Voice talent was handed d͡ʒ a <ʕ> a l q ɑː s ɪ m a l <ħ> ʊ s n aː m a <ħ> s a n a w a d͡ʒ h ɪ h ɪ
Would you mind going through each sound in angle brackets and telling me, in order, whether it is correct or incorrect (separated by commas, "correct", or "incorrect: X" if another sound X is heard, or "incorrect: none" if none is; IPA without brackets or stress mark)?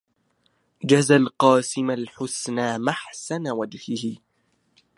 incorrect: z, correct, correct